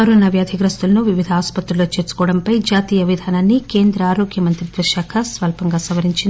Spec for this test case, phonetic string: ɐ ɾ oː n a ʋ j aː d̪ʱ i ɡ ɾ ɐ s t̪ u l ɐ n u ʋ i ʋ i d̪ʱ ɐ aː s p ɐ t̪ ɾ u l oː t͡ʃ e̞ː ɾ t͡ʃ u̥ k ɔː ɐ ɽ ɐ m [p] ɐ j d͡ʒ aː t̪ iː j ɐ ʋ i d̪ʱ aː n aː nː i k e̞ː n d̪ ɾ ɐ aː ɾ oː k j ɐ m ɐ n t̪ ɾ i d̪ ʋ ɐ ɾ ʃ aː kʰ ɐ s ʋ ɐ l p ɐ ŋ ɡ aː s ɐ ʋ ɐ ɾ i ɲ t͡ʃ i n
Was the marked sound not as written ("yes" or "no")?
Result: no